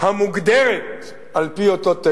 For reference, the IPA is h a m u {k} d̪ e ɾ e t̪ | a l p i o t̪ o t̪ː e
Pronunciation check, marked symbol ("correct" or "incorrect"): incorrect